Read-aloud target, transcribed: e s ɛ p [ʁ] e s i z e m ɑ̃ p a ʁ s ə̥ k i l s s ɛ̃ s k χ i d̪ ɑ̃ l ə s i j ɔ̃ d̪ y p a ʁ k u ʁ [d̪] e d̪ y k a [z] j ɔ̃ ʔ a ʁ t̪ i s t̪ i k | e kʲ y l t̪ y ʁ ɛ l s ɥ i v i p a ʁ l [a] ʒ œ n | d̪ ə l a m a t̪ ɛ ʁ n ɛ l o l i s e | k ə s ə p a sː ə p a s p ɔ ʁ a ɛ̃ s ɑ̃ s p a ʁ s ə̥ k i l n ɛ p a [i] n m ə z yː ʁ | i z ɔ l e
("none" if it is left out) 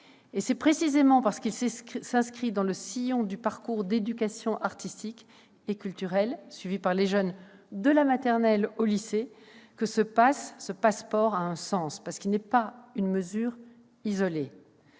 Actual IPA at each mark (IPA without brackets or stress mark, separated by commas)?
χ, d̪, s, e, y